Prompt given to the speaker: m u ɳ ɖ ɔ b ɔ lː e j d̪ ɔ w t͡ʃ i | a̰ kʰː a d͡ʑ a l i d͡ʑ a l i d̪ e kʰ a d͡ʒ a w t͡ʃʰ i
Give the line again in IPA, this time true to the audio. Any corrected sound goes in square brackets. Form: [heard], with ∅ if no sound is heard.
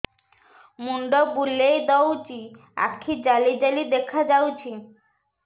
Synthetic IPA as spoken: m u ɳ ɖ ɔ b [u] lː e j d̪ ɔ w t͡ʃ i | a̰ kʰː [i] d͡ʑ a l i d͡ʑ a l i d̪ e kʰ a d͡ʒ a w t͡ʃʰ i